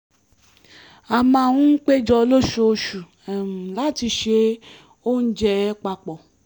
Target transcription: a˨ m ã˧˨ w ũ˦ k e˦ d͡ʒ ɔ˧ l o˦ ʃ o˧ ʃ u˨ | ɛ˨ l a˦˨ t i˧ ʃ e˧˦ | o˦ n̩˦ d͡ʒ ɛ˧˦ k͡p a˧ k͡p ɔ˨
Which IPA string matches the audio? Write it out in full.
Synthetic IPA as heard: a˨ m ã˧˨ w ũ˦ k͡p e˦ d͡ʒ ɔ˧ l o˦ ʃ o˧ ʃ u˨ | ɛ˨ l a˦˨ t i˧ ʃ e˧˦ | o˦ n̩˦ d͡ʒ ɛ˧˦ k͡p a˧ k͡p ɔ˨